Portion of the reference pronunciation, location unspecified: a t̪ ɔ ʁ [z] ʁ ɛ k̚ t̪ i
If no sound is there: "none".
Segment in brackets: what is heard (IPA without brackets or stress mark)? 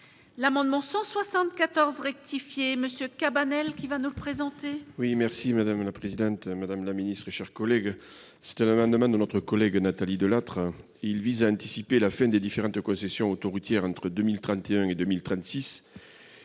z